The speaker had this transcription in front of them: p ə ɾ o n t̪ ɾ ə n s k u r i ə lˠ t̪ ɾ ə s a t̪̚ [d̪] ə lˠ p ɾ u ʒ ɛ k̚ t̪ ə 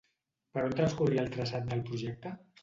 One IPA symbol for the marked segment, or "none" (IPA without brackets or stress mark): d̪